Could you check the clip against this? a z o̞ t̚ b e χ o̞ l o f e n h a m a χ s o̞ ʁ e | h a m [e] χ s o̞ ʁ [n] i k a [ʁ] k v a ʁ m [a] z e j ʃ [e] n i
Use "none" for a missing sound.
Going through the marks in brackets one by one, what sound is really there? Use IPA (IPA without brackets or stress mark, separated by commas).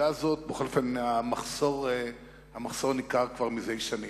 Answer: a, n, ʁ, i, a